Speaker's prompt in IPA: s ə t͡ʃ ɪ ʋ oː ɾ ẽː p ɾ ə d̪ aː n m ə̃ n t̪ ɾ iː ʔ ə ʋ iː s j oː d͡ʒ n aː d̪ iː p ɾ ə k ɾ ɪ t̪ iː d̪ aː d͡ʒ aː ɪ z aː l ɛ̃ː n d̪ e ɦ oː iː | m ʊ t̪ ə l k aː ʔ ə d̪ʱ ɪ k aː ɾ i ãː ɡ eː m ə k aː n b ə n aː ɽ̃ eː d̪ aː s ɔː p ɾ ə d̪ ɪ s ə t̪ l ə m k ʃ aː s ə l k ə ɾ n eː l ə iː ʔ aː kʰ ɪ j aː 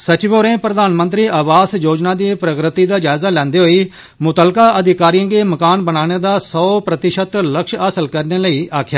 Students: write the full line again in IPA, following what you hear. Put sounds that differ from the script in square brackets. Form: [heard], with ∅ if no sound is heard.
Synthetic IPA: s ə t͡ʃ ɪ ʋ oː ɾ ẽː p ɾ ə d̪ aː n m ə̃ n t̪ ɾ iː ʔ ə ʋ [aː] s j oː d͡ʒ n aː d̪ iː p ɾ ə k ɾ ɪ t̪ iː d̪ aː d͡ʒ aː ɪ z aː l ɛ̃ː n d̪ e ɦ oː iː | m ʊ t̪ ə l k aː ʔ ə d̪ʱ ɪ k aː ɾ i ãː ɡ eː m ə k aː n b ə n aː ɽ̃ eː d̪ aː s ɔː p ɾ ə [t̪] ɪ [ʃ] ə t̪ l ə [∅] k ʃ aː s ə l k ə ɾ n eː l ə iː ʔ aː kʰ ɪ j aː

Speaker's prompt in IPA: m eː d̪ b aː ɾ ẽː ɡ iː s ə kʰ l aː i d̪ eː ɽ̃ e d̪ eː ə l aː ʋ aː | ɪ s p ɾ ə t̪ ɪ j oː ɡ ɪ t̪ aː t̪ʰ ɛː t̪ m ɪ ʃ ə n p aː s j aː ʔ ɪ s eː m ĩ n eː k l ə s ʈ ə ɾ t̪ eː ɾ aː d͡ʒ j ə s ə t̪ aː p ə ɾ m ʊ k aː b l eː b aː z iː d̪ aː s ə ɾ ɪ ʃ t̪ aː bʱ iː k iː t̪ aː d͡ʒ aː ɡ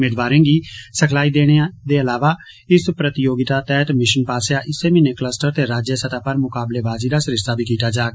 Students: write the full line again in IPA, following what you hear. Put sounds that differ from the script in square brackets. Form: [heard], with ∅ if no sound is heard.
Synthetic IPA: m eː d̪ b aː ɾ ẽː ɡ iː s ə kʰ l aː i d̪ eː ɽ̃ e d̪ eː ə l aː ʋ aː | ɪ s p ɾ ə t̪ ɪ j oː ɡ ɪ t̪ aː [t̪] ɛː t̪ m ɪ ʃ ə n p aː s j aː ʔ ɪ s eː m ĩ n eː k l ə s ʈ ə ɾ t̪ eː ɾ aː d͡ʒ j ə s ə t̪ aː p ə ɾ m ʊ k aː b l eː b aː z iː d̪ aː s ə ɾ ɪ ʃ t̪ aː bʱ iː k iː t̪ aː d͡ʒ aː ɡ

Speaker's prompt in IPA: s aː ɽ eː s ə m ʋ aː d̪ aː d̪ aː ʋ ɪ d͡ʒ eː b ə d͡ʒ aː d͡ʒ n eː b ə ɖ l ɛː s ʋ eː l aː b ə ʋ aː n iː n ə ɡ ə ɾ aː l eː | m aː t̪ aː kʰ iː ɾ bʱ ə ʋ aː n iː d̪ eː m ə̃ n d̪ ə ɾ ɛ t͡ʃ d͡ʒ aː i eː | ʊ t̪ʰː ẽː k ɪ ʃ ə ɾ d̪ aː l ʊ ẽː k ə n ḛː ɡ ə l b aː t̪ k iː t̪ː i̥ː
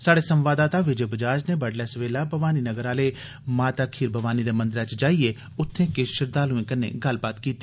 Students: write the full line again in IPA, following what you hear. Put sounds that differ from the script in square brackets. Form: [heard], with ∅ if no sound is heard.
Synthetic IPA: s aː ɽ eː s ə m ʋ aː d̪ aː [t̪] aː ʋ ɪ d͡ʒ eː b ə d͡ʒ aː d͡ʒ n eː b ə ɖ l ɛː s ʋ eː l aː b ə ʋ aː n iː n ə ɡ ə ɾ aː l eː | m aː t̪ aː kʰ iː ɾ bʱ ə ʋ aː n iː d̪ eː m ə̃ n d̪ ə ɾ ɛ t͡ʃ d͡ʒ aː i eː | ʊ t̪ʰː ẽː k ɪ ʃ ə ɾ d̪ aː l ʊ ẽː k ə n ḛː ɡ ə l b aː t̪ k iː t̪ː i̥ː

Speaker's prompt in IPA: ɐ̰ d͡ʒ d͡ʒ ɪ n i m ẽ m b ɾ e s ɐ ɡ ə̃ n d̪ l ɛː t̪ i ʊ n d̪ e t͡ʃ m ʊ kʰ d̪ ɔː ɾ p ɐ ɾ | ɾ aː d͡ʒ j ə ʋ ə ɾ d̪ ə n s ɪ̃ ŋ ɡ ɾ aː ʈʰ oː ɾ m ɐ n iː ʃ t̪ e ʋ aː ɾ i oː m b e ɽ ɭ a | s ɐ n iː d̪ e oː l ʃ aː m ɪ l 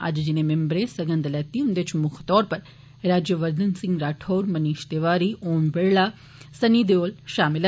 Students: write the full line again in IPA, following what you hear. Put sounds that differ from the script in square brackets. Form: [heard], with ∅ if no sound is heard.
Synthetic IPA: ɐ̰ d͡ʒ d͡ʒ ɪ n [e] m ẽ m b ɾ e s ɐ ɡ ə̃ n d̪ l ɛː t̪ i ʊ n d̪ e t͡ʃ m ʊ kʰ [t̪] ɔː ɾ p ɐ ɾ | ɾ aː d͡ʒ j ə ʋ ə ɾ d̪ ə n s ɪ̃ ŋ ɡ ɾ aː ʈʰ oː ɾ m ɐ n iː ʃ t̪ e ʋ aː ɾ i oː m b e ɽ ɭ a | s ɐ n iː d̪ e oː l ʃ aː m ɪ l

